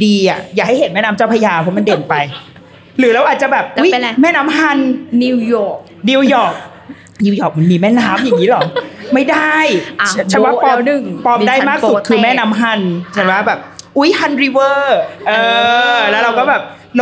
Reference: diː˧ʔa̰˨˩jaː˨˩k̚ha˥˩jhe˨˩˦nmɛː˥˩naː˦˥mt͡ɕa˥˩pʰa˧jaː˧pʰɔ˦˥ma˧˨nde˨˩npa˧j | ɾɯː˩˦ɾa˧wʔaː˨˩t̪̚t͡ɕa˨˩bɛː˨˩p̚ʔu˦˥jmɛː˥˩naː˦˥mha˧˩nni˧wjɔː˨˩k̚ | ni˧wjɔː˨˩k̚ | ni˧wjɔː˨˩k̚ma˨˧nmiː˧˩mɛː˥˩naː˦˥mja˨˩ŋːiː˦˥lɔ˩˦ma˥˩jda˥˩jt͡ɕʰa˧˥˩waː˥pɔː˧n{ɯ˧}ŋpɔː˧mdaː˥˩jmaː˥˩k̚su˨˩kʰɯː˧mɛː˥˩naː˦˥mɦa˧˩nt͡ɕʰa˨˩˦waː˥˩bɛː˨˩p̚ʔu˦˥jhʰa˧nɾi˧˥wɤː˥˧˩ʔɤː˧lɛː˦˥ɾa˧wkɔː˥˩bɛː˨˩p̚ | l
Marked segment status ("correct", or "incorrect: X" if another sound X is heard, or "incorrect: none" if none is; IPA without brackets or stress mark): incorrect: ɯ˨˩